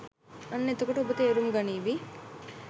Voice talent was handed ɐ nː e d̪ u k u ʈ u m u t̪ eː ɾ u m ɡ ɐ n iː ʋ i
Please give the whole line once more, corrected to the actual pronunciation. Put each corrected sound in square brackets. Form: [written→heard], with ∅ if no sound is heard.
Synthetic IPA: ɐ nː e [d̪→t̪] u k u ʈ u [m→b] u t̪ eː ɾ u m ɡ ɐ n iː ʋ i